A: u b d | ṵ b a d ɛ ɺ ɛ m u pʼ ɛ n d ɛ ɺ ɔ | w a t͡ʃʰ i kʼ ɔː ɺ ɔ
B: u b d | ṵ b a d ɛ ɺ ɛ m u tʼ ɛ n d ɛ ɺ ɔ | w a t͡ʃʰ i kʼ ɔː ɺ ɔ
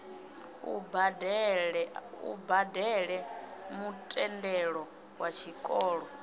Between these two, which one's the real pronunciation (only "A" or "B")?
B